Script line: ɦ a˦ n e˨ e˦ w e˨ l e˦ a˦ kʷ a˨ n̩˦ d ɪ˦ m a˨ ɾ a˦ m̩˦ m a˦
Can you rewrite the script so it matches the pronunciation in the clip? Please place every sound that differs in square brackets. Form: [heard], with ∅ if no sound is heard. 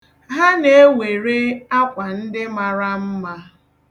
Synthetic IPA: ɦ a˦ n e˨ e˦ w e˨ [ɾ] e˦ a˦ kʷ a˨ n̩˦ d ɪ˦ m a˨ ɾ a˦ m̩˦ m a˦